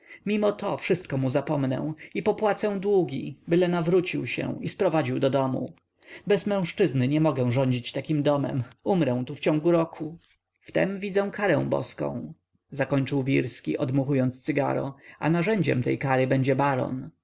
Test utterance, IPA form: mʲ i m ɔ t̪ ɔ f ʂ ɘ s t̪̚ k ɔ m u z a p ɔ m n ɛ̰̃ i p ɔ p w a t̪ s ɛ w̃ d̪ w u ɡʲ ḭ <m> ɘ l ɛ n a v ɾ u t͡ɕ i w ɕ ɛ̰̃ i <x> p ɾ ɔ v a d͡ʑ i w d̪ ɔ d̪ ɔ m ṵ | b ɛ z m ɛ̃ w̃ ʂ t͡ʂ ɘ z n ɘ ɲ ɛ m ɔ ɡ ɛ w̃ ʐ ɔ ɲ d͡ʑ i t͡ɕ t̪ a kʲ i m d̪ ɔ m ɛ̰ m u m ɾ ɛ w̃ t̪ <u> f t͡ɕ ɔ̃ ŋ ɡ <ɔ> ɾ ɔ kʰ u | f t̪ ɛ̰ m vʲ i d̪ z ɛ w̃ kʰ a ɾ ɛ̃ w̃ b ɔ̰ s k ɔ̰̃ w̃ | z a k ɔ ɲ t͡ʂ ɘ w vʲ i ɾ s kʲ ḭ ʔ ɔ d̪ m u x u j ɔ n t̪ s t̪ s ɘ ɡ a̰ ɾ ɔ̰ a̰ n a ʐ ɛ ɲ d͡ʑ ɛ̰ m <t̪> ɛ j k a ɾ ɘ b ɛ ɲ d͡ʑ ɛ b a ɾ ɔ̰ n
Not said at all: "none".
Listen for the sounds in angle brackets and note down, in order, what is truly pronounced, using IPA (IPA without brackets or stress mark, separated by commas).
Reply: b, s, u, u, t̪